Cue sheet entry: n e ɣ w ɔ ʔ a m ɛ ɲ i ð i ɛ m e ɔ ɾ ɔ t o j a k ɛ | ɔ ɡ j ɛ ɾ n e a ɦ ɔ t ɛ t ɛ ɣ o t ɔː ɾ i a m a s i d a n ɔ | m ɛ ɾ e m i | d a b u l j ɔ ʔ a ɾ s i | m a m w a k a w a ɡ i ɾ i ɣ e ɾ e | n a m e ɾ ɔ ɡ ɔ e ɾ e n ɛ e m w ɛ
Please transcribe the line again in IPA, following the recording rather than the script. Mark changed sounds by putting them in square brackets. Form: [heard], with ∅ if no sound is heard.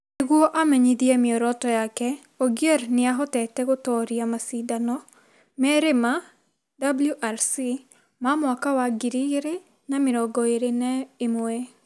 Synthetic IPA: n e ɣ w ɔ ʔ a m ɛ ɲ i ð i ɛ m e ɔ ɾ ɔ t [ɔ] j a k ɛ | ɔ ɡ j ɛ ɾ n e a ɦ ɔ t ɛ t ɛ ɣ o t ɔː ɾ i a m a s i d a n ɔ | m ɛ ɾ e m [a] | d a b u l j [u] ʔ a ɾ s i | m a m w a k a w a ɡ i ɾ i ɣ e ɾ e | n a m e ɾ ɔ ɡ ɔ e ɾ e n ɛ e m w ɛ